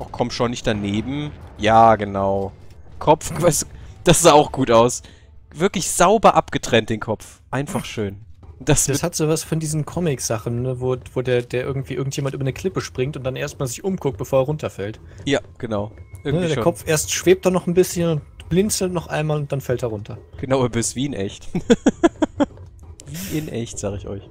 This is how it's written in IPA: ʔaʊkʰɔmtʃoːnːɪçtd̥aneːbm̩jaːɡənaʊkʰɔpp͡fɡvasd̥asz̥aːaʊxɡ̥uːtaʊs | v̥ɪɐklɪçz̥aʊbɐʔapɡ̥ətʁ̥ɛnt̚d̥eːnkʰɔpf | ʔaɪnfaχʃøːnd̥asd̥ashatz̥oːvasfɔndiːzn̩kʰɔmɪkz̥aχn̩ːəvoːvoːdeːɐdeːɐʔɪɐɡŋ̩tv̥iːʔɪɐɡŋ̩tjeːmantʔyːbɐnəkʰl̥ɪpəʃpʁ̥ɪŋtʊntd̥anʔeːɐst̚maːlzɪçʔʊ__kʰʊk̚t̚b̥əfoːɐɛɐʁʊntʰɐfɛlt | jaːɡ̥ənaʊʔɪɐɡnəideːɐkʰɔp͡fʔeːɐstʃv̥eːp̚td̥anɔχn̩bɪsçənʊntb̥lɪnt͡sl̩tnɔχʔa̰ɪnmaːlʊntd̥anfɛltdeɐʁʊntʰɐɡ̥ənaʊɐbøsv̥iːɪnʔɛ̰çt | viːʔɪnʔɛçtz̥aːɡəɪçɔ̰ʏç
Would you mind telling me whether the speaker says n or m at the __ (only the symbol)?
m